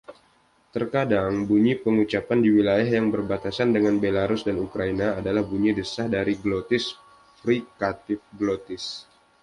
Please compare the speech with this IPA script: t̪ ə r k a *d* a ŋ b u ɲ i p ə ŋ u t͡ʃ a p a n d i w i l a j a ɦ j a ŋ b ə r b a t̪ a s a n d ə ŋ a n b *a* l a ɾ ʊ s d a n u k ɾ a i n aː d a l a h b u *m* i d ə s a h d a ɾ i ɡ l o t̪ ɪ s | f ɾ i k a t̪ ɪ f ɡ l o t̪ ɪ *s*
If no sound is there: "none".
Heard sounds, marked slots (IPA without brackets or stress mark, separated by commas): d, e, ɲ, s